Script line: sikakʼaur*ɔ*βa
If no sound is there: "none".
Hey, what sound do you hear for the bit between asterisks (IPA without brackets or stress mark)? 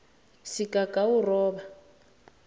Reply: ɔː